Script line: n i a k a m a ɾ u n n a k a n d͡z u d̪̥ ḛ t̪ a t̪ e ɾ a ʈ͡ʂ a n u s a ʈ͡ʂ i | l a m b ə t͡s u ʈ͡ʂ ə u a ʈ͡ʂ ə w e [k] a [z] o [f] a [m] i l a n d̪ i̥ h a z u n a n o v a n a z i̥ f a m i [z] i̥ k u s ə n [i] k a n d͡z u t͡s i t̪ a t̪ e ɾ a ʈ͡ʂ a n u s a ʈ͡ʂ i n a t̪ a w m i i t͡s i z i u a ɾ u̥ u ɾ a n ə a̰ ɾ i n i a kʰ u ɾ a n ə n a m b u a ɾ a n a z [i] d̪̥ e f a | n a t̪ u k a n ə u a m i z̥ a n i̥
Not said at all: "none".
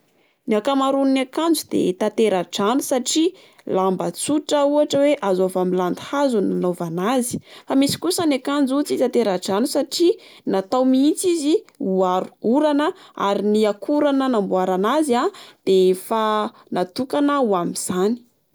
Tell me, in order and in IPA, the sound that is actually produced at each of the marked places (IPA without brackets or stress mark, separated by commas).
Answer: ʔ, z, v, m, s, a, a